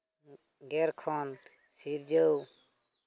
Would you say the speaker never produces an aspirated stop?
no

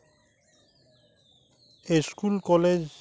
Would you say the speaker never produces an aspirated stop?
yes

